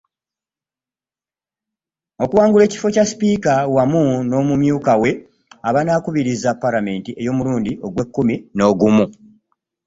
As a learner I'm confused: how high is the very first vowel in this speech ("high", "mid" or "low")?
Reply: mid